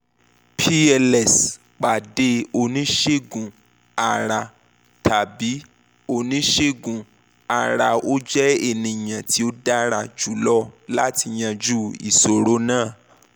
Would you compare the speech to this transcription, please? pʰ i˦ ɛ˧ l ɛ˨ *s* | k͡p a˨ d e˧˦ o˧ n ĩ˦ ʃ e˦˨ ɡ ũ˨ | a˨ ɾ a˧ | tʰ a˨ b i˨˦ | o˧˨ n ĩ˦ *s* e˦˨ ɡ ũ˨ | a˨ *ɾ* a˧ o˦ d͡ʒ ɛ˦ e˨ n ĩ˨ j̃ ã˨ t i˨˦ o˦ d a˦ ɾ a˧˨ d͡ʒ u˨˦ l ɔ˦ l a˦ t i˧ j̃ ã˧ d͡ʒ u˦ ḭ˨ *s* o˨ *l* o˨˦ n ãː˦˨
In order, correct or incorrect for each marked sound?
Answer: correct, incorrect: ʃ, correct, correct, incorrect: ɾ

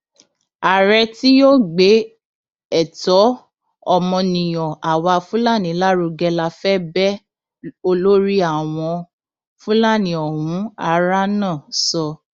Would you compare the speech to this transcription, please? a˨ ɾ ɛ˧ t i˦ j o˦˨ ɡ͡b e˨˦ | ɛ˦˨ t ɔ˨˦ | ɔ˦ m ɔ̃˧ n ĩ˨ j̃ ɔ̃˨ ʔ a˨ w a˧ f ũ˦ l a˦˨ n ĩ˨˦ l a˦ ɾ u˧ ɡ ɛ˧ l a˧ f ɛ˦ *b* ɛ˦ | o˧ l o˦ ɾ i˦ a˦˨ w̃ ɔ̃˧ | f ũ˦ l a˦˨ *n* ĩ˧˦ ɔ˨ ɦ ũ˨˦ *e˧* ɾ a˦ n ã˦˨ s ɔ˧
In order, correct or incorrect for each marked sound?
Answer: correct, correct, incorrect: a˧

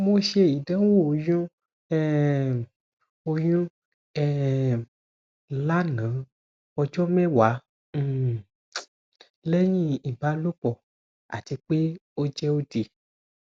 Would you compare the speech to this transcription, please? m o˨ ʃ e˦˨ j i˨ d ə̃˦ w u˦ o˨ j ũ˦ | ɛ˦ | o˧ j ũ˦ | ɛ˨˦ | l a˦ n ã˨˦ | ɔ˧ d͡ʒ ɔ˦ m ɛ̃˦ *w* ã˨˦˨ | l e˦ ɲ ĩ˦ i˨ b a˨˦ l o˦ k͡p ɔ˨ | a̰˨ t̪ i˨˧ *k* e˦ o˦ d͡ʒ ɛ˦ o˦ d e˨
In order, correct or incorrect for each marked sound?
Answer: correct, incorrect: k͡p

